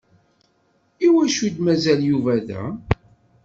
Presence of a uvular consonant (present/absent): absent